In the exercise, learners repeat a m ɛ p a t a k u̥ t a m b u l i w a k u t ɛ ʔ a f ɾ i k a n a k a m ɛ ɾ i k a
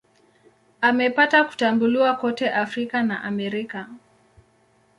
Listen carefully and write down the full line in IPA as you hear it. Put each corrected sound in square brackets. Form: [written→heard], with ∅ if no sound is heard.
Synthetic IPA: a m ɛ p a t a k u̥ t a m b u l i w a k [u→ɔ] t ɛ ʔ a f ɾ i k a n a [k→ʔ] a m ɛ ɾ i k a